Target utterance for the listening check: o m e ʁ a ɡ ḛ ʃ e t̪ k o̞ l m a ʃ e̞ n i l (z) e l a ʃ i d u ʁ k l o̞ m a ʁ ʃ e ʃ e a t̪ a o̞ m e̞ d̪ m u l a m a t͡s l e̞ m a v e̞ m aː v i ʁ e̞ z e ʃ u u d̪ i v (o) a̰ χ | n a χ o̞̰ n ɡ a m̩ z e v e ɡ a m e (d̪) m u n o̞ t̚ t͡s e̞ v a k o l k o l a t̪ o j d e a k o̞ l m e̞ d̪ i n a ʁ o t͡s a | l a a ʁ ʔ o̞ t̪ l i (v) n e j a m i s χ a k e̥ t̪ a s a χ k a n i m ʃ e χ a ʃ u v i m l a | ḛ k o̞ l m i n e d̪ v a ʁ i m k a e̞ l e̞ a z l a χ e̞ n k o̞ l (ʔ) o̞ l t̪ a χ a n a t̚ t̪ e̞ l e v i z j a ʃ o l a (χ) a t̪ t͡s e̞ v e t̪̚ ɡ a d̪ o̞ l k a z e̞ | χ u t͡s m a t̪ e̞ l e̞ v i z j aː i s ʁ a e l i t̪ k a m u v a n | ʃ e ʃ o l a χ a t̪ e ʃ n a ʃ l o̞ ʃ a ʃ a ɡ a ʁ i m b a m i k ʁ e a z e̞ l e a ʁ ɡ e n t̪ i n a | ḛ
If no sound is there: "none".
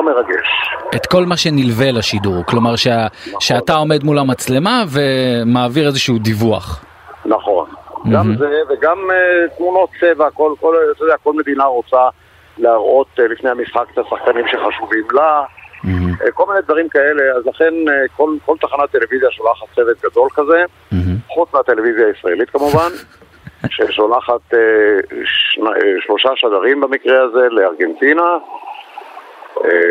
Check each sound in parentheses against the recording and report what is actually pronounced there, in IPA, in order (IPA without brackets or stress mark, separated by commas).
v, u, t̪, f, k, χ